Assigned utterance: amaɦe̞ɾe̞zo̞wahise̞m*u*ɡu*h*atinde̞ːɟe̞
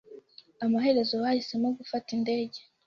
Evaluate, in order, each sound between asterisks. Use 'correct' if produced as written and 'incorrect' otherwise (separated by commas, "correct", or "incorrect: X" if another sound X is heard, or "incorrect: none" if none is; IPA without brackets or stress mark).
incorrect: o, incorrect: f